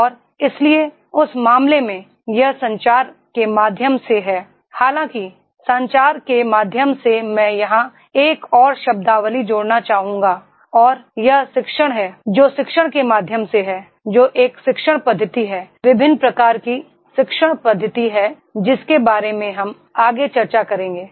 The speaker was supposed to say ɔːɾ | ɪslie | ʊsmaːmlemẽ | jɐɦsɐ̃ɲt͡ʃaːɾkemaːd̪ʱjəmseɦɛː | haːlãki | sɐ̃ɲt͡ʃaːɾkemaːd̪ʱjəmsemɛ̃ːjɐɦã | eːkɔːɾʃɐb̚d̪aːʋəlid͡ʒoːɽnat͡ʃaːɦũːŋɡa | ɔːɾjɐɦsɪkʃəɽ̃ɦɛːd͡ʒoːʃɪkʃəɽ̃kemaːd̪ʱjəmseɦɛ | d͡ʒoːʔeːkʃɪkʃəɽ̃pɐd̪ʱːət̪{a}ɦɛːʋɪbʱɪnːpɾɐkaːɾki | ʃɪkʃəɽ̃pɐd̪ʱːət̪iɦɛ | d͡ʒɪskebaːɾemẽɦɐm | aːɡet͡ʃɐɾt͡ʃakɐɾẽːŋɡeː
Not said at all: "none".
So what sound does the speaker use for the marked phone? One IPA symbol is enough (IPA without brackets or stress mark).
i